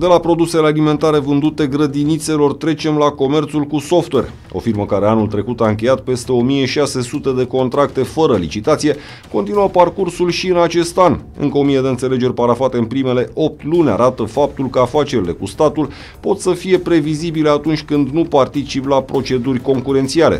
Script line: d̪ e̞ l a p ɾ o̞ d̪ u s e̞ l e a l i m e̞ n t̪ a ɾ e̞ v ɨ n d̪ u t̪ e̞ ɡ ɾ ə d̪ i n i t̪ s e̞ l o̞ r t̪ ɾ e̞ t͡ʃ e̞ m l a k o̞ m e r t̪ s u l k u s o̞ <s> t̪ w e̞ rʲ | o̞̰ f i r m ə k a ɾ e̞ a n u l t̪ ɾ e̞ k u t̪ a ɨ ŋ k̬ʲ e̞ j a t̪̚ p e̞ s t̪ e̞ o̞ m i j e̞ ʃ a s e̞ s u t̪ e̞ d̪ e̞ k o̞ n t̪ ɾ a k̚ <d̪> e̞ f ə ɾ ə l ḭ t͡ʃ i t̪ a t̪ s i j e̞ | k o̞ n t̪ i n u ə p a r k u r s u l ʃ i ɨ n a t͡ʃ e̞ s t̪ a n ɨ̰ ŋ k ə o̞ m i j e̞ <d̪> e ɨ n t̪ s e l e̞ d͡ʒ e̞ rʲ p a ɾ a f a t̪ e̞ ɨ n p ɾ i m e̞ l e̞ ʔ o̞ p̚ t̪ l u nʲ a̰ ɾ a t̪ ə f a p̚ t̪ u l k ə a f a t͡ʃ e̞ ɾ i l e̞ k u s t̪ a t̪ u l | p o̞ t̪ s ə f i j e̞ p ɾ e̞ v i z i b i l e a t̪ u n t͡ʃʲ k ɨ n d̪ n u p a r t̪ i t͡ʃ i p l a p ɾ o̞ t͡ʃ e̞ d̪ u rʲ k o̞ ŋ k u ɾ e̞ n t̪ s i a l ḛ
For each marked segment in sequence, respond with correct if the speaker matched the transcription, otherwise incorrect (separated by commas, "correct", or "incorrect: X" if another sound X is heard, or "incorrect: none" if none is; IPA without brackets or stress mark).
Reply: incorrect: f, incorrect: t̪, correct